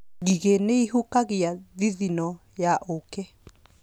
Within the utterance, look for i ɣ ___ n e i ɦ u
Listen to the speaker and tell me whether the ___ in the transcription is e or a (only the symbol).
e